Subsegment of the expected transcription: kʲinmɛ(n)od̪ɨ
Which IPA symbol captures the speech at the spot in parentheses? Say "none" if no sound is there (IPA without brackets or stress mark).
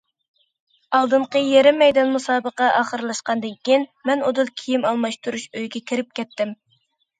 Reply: n